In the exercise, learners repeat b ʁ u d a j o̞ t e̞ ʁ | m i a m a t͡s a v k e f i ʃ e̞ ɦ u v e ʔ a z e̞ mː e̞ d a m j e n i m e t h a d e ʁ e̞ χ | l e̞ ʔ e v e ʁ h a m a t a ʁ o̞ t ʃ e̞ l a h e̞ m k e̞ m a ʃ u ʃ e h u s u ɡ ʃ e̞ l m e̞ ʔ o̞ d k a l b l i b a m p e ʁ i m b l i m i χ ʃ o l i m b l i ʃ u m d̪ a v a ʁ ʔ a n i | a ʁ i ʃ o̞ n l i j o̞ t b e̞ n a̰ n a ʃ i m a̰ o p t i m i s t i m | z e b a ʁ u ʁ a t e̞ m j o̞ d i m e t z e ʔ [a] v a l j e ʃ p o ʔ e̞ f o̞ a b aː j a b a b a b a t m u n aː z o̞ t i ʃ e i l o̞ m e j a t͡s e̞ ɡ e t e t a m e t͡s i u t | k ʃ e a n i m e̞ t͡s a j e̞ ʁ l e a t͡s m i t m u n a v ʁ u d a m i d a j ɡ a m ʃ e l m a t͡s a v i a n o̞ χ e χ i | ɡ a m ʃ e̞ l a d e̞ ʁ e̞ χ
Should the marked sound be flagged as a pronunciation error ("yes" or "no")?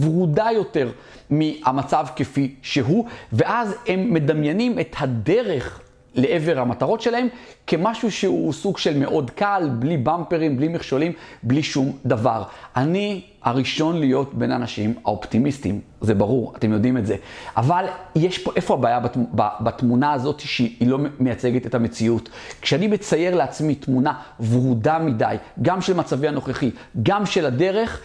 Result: no